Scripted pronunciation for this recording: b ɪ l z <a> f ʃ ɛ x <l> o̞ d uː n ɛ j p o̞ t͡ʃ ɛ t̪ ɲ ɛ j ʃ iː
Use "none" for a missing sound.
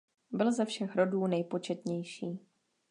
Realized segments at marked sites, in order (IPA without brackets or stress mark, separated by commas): ɛ, ɾ